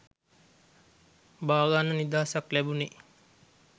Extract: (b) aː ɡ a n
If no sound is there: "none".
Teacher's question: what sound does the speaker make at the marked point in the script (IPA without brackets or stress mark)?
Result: b